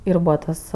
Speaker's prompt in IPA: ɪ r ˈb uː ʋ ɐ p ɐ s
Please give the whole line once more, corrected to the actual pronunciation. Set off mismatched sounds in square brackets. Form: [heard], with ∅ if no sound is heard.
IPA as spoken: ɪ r ˈb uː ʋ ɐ [t] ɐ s